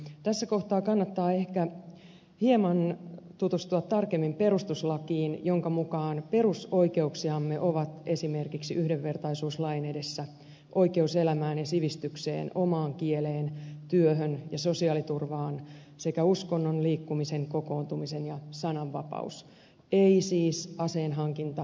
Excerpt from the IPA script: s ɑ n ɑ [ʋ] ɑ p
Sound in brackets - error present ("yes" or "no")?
yes